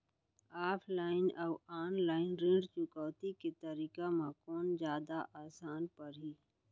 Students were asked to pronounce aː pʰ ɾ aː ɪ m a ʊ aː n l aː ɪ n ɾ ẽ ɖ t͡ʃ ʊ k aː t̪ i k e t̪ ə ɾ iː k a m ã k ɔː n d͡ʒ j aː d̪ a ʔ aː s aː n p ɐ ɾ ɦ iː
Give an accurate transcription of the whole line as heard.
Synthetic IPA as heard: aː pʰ l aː ɪ n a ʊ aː n l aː ɪ n ɾ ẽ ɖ t͡ʃ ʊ k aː t̪ i k e t̪ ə ɾ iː k a m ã k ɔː n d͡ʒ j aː d̪ a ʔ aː s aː n p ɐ ɾ ɦ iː